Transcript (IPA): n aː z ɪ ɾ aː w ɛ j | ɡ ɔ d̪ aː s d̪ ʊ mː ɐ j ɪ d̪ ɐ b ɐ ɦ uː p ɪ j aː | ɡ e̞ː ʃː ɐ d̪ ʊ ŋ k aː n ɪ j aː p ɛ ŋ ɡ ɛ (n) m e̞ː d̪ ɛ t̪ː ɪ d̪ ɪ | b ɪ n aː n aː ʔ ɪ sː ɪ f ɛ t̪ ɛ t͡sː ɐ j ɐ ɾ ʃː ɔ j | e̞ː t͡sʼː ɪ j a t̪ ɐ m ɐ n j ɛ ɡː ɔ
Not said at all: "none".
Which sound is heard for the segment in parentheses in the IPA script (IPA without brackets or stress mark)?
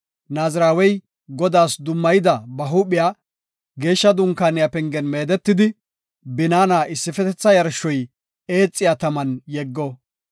n